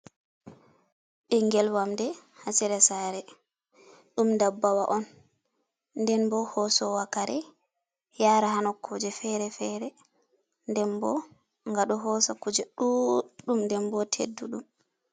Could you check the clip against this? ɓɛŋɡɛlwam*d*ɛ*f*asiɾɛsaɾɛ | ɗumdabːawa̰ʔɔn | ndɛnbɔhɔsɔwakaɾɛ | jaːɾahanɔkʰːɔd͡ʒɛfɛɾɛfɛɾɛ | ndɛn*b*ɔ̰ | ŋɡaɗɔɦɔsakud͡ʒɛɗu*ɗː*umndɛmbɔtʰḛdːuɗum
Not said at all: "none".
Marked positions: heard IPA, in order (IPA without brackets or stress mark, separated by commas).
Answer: d, h, b, ɗ